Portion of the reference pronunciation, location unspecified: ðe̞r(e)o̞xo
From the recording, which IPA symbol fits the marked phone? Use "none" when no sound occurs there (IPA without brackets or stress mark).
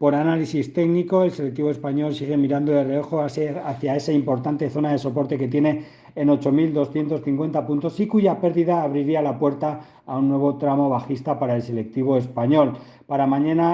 e